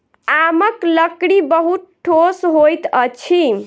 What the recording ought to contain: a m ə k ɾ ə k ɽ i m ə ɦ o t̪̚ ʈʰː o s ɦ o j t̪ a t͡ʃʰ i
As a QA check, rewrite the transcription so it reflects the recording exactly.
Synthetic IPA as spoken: a m ə k l ə k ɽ i b ə ɦ u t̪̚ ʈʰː o s ɦ o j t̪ ə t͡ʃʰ i